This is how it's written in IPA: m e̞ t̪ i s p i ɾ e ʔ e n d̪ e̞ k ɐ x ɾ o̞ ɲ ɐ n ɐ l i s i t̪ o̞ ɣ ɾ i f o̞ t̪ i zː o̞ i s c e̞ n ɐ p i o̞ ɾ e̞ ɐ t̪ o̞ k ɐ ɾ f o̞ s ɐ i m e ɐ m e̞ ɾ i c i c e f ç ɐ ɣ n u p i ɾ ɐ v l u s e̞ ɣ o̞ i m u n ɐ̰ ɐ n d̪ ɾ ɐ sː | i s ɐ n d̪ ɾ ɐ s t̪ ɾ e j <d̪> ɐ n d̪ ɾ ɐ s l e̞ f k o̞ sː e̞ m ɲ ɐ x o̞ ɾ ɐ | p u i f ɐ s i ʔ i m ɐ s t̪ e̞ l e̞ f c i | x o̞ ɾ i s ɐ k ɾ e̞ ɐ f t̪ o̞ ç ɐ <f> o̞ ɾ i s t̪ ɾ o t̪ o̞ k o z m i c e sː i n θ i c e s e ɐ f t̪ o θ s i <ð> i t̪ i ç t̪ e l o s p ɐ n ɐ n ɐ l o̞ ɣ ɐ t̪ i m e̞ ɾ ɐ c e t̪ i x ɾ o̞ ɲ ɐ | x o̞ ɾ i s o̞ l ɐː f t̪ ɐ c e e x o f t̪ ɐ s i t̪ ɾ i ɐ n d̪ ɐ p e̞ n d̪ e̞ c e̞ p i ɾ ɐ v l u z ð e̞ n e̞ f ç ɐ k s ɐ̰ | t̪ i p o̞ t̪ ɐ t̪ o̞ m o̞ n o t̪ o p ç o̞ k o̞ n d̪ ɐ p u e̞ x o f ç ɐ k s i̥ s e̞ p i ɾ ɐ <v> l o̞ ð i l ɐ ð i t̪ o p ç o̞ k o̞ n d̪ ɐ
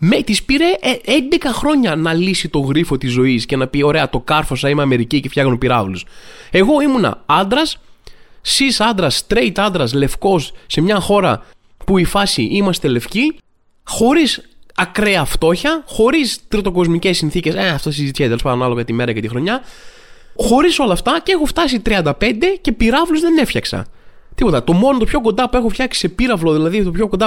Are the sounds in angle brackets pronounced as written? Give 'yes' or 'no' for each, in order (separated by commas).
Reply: no, no, no, yes